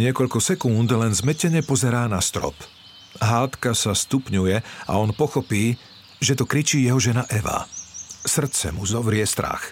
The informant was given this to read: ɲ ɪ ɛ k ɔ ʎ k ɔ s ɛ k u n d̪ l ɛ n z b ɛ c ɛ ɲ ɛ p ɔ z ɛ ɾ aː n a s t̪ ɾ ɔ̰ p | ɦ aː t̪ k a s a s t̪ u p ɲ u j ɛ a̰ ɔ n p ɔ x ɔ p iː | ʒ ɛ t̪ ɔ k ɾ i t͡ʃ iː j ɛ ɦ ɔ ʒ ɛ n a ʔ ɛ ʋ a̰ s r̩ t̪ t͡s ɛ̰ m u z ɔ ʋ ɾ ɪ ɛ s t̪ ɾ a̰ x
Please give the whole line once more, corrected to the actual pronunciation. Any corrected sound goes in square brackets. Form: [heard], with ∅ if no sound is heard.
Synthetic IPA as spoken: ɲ ɪ ɛ k ɔ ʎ k ɔ s ɛ k u n d̪ l ɛ n z [m] ɛ c ɛ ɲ ɛ p ɔ z ɛ ɾ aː n a s t̪ ɾ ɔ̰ p | ɦ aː t̪ k a s a s t̪ u p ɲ u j ɛ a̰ ɔ n p ɔ x ɔ p iː | ʒ ɛ t̪ ɔ k ɾ i t͡ʃ iː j ɛ ɦ ɔ ʒ ɛ n a ʔ ɛ ʋ a̰ s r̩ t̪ t͡s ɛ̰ m u z ɔ ʋ ɾ ɪ ɛ s t̪ ɾ a̰ x